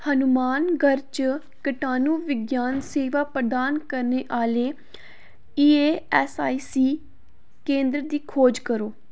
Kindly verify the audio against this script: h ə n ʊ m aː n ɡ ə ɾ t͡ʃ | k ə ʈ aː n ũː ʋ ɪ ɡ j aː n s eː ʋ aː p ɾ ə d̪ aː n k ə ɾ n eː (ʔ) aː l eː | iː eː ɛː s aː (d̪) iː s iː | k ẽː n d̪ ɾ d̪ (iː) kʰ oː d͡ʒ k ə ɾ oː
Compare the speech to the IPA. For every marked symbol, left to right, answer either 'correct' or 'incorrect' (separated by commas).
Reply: correct, incorrect, correct